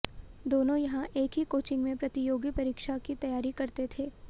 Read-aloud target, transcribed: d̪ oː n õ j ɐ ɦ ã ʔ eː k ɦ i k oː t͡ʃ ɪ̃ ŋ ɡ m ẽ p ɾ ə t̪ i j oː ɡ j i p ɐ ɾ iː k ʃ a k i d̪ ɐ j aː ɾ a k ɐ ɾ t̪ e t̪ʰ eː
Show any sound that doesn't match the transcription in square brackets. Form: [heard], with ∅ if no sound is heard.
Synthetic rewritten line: d̪ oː n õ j ɐ ɦ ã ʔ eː k ɦ i k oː t͡ʃ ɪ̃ ŋ ɡ m ẽ p ɾ [ɐ] t̪ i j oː ɡ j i p ɐ ɾ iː k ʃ a k i [t̪] ɐ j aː ɾ [i] k ɐ ɾ t̪ e t̪ʰ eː